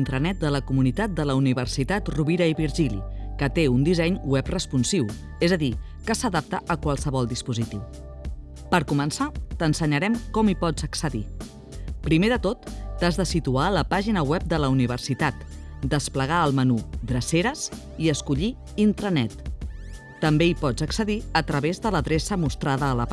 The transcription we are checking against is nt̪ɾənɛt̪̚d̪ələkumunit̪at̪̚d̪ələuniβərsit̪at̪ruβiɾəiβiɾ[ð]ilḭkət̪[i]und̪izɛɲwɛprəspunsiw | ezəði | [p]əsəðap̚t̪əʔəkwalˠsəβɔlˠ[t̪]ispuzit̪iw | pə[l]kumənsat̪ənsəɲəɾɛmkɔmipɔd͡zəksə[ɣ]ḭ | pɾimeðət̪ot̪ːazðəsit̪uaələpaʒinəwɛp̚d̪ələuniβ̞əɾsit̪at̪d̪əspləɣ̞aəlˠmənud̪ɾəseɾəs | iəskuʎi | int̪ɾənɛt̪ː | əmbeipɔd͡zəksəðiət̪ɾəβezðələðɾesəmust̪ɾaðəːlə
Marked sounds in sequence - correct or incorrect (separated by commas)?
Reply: incorrect, incorrect, incorrect, incorrect, incorrect, incorrect